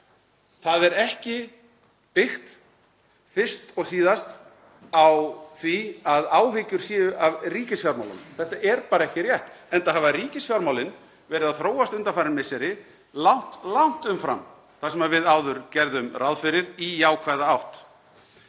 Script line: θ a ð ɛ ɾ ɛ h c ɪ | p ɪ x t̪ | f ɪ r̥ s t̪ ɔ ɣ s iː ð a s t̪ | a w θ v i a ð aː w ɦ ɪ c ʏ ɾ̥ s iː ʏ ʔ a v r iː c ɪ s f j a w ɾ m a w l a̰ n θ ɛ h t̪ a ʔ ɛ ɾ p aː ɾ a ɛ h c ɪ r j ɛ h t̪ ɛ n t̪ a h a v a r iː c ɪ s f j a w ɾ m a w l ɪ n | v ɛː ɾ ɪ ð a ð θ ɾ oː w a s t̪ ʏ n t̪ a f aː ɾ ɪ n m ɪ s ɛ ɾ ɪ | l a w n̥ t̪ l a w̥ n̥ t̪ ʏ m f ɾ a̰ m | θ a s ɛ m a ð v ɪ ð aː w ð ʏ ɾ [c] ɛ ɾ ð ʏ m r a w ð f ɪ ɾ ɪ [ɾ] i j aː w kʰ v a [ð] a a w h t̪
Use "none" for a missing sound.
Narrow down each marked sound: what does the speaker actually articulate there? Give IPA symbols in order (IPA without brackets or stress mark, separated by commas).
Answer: c, ɾ, ð